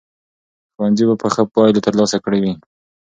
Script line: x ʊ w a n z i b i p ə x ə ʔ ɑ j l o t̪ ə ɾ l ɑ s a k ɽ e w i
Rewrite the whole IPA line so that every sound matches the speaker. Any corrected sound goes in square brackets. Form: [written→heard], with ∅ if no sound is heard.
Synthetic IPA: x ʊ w a n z i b [i→a] p ə x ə [ʔ→p] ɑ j l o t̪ ə ɾ l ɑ s a k ɽ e w i